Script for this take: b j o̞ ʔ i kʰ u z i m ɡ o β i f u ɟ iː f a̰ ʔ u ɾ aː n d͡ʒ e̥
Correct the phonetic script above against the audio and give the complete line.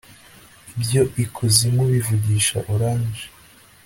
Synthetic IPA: b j o̞ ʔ i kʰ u z i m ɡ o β i v u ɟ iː ʃ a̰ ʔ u ɾ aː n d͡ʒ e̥